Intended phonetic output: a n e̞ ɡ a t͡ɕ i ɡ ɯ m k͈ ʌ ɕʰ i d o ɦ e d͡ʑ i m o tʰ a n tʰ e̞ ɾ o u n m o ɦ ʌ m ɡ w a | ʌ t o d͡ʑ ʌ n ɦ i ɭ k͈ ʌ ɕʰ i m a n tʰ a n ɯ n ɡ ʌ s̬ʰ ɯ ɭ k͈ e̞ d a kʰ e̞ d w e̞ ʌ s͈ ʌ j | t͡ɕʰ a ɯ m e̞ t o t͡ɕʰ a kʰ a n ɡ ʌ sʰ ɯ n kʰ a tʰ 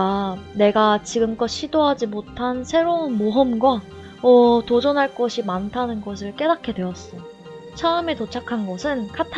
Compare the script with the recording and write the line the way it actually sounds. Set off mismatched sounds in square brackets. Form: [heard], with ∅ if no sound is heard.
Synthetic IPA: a n e̞ ɡ a t͡ɕ i ɡ ɯ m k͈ ʌ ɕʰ i d o ɦ [a] d͡ʑ i m o tʰ a n [sʰ] e̞ ɾ o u n m o ɦ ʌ m ɡ w a | ʌ t o d͡ʑ ʌ n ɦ [a] ɭ k͈ ʌ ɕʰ i m a n tʰ a n ɯ n ɡ ʌ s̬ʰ ɯ ɭ k͈ e̞ d a kʰ e̞ d w e̞ ʌ s͈ ʌ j | t͡ɕʰ a ɯ m e̞ t o t͡ɕʰ a kʰ a n ɡ ʌ sʰ ɯ n kʰ a tʰ